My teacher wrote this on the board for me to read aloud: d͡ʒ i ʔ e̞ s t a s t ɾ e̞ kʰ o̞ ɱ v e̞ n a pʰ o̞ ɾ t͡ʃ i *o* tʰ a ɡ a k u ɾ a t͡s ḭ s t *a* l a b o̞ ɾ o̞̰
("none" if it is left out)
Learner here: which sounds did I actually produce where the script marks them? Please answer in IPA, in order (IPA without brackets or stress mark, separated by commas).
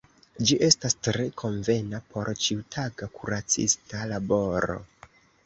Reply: u, a